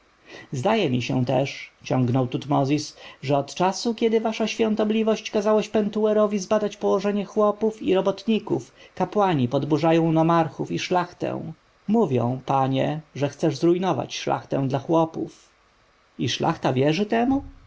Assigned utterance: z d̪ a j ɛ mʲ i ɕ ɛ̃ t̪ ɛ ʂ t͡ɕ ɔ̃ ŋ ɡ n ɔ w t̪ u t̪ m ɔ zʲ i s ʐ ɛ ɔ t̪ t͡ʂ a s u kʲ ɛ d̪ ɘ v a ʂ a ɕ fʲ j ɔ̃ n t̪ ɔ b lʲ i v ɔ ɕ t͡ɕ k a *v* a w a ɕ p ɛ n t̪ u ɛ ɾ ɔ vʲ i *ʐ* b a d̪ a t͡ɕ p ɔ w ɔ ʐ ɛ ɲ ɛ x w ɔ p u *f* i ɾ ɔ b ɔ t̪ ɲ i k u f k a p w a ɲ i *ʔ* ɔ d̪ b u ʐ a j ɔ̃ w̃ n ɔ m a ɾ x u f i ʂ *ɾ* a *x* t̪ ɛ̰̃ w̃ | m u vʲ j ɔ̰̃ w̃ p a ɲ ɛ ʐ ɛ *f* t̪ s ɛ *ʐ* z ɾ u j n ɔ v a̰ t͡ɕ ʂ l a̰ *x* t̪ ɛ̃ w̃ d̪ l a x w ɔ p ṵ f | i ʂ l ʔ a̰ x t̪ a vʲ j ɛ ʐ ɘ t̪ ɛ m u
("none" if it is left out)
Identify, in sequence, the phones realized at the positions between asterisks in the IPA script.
z, z, f, p, l, x, x, ʐ, x

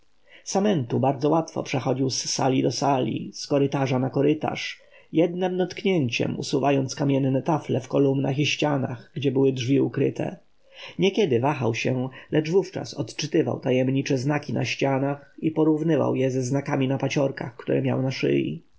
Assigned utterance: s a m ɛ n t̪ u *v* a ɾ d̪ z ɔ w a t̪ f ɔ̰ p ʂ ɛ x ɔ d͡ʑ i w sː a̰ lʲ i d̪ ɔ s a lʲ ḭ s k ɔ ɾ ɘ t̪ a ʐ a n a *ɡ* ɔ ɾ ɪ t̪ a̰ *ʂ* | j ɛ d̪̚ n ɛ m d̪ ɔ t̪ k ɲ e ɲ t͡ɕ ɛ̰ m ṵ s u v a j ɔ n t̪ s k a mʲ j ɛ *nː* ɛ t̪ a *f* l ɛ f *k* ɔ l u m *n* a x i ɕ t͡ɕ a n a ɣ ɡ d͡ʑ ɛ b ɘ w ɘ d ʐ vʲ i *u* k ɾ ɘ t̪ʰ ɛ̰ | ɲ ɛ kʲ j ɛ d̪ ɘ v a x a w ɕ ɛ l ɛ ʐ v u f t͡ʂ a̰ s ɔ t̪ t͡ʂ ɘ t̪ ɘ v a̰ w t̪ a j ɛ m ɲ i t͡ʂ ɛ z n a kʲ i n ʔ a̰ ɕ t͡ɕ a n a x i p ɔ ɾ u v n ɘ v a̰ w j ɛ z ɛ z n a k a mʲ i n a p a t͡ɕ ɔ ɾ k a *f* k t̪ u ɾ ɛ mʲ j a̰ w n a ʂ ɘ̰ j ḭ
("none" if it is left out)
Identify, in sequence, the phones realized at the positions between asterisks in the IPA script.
b, k, ʂ, nː, f, k, n, u, x

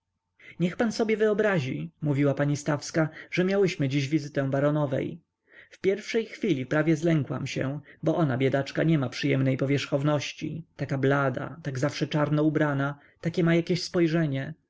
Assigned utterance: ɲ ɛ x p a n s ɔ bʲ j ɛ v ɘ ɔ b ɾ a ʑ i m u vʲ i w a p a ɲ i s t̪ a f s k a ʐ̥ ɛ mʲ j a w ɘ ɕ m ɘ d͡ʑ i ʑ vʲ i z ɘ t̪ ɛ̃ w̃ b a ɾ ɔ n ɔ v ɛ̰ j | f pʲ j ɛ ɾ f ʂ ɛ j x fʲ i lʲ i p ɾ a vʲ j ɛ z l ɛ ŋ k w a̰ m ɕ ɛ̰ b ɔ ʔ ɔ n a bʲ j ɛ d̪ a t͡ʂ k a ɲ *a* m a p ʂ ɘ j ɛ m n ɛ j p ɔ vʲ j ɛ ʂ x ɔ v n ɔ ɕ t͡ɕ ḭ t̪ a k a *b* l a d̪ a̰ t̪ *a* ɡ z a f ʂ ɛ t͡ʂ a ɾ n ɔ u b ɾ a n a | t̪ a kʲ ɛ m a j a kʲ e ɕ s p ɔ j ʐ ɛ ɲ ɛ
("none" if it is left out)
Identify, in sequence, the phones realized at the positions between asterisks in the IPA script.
ɛ, b, a

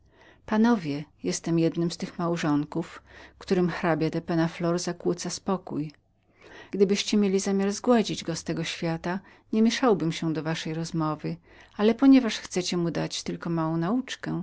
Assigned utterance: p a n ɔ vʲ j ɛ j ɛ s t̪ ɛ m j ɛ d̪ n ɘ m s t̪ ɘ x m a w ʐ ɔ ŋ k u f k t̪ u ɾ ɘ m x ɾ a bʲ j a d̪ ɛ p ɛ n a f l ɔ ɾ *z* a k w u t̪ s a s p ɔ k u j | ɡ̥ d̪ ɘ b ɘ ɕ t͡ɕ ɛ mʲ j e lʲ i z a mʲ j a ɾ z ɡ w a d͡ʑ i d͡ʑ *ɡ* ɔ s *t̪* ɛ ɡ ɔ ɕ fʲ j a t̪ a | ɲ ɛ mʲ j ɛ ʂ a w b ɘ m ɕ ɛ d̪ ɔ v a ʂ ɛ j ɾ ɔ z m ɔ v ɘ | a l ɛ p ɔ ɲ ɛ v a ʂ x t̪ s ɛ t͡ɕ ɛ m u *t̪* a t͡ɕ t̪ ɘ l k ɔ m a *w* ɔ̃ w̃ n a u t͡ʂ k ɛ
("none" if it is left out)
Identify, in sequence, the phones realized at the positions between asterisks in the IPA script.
z, ɡ, t̪, d̪, w

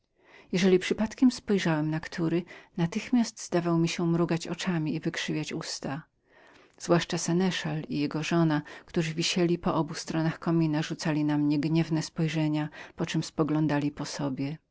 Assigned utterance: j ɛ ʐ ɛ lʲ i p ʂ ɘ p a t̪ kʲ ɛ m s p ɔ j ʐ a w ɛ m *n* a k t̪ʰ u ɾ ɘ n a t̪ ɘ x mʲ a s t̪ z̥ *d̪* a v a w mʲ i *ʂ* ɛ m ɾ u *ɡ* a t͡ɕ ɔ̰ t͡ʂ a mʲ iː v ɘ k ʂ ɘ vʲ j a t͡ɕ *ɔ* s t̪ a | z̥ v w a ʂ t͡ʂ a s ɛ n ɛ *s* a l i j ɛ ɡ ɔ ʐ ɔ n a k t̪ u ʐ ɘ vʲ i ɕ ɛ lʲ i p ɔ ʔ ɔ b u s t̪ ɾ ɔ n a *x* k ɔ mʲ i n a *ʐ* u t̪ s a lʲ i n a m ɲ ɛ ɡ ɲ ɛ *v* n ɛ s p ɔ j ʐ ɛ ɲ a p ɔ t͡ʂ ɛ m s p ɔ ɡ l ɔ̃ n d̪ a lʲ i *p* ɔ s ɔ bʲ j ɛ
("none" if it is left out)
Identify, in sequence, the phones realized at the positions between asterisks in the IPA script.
n, d̪, ɕ, ɡ, u, ʂ, x, ʐ, v, p

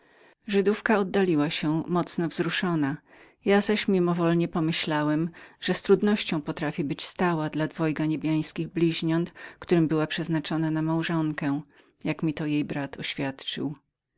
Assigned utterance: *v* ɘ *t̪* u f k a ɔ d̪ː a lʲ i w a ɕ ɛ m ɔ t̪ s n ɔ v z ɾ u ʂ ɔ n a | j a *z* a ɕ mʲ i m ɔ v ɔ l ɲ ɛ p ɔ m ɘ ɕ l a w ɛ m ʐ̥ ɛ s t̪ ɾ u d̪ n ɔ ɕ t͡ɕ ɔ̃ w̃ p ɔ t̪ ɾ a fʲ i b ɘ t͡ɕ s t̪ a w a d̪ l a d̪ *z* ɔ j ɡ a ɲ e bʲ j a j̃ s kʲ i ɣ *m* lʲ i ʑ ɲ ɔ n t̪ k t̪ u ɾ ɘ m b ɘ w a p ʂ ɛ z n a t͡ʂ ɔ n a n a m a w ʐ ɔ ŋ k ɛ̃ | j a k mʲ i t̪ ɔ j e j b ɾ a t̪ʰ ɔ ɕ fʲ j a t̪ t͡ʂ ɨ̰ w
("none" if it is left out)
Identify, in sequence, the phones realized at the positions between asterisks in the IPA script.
ʐ, d̪, z, v, b

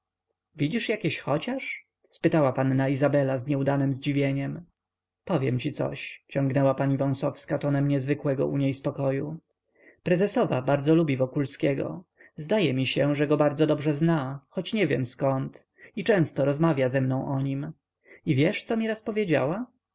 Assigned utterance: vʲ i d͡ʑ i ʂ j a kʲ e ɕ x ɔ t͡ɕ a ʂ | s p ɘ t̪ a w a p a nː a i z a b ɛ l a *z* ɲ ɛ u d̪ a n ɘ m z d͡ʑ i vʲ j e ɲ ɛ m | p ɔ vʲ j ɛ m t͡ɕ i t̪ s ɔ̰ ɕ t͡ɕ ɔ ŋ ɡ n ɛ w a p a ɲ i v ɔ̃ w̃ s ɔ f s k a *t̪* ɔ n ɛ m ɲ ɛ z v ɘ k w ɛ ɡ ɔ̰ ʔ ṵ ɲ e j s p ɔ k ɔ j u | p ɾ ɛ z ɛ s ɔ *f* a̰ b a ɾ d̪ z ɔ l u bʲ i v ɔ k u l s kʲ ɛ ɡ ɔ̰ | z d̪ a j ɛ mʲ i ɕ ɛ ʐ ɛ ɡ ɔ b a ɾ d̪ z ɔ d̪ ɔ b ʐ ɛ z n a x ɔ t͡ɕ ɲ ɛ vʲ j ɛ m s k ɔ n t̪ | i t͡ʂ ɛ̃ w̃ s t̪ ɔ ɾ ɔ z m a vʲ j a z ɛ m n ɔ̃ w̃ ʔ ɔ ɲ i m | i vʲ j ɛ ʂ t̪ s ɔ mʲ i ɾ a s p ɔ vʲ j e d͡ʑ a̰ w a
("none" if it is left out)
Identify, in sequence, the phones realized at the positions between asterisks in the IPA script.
z, t̪, v

